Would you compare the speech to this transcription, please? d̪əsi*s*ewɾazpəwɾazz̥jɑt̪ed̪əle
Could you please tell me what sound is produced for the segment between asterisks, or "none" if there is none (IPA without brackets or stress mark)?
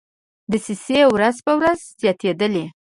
s